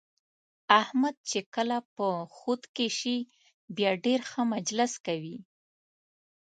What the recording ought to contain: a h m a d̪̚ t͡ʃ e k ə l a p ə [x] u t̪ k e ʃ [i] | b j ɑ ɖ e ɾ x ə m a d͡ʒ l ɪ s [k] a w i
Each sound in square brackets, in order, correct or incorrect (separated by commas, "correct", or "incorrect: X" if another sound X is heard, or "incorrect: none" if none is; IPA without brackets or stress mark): correct, correct, correct